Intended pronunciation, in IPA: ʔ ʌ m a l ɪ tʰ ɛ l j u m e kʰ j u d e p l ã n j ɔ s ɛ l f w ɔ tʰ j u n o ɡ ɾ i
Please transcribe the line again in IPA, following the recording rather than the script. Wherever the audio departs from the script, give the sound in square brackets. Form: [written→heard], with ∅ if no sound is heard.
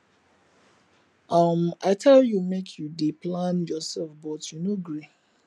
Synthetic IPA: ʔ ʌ m a [l→∅] ɪ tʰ ɛ l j u m e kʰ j u d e p l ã n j ɔ s ɛ l f [w→b] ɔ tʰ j u n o ɡ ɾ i